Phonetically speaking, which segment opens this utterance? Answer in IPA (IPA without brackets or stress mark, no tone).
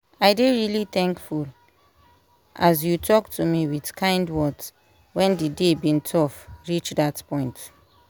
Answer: a